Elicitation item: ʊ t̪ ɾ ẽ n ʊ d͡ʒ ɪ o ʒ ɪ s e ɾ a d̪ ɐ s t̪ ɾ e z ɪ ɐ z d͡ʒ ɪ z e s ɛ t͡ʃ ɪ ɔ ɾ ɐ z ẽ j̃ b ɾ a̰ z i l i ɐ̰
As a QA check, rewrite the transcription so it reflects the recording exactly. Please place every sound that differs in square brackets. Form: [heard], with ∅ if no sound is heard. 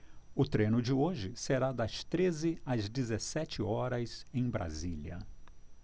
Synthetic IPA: ʊ t̪ ɾ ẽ n ʊ d͡ʒ ɪ o ʒ ɪ s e ɾ a d̪ ɐ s t̪ ɾ e z ɪ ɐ z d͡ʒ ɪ z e s ɛ t͡ʃ ɪ ɔ ɾ ɐ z ẽ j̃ b ɾ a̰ z i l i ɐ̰